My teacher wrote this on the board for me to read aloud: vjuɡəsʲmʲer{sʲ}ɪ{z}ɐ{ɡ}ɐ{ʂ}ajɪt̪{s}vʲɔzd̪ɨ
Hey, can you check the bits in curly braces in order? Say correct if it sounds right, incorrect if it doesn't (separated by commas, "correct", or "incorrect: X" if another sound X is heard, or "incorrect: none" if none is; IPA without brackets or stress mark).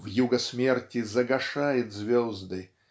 incorrect: tʲ, correct, correct, correct, incorrect: z